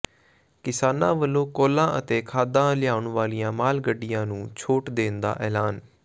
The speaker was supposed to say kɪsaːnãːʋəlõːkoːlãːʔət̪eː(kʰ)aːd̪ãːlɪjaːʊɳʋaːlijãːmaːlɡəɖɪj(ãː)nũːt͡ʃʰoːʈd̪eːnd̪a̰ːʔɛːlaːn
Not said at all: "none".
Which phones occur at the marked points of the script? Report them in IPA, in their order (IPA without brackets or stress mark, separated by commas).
kʰ, ãː